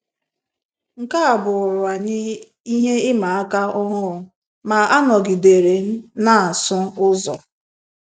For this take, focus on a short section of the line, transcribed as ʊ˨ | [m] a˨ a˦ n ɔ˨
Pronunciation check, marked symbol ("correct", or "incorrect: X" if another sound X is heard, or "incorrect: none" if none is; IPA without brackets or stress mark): correct